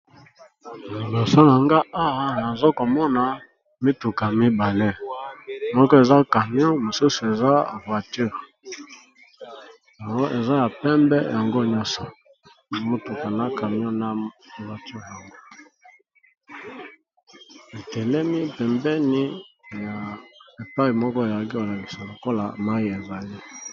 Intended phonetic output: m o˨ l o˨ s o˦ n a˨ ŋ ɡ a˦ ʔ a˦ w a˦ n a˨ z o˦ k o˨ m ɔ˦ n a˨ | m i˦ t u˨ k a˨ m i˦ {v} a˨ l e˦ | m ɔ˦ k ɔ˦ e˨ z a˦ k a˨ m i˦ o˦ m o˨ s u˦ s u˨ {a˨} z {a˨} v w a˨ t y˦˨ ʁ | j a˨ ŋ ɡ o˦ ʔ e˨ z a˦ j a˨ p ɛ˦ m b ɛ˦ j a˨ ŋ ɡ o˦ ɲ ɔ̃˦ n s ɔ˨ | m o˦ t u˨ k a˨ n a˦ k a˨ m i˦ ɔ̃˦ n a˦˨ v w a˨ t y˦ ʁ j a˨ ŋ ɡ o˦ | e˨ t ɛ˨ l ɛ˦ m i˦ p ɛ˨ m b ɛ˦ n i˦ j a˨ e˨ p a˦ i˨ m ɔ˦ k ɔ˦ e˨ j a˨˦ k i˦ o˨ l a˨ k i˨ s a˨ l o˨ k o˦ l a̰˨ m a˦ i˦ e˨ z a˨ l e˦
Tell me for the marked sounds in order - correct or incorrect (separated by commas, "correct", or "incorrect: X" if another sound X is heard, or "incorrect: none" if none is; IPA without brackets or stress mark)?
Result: incorrect: b, incorrect: e˨, incorrect: a˦˨